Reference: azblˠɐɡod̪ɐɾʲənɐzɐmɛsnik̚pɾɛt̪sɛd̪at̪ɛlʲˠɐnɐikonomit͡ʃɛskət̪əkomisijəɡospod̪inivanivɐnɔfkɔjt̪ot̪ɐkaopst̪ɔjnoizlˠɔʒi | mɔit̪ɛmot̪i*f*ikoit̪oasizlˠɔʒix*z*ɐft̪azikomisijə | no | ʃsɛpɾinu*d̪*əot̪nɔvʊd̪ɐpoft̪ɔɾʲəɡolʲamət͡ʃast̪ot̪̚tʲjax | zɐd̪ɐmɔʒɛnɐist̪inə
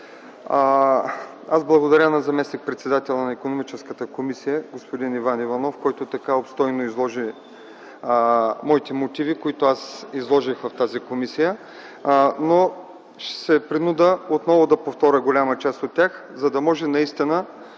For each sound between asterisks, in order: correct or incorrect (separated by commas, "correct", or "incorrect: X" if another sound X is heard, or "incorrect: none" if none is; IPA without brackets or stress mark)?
incorrect: v, incorrect: v, correct